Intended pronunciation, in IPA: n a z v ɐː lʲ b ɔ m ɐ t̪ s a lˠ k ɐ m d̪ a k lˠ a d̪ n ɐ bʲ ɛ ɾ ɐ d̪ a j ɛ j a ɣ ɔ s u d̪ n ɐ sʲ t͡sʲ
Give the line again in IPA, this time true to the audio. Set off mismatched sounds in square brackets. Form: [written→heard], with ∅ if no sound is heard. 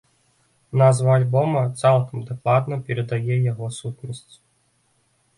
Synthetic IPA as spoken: n a z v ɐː lʲ b ɔ m ɐ t̪ s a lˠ k ɐ m d̪ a k lˠ a d̪ n ɐ [bʲ→pʲ] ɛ ɾ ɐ d̪ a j ɛ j a ɣ ɔ s u [d̪→t̪] n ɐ sʲ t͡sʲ